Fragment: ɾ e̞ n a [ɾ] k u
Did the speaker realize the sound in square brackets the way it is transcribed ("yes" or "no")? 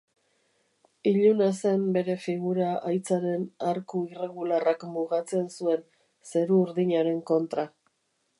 yes